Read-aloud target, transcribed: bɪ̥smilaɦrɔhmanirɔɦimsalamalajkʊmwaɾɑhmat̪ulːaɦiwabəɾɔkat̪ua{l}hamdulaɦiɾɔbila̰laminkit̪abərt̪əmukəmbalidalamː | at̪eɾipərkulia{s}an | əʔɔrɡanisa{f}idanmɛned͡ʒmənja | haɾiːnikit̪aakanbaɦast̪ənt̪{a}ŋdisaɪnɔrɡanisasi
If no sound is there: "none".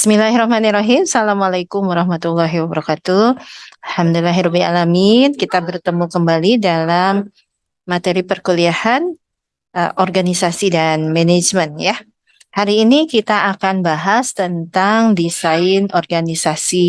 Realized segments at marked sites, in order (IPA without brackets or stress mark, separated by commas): l, h, s, a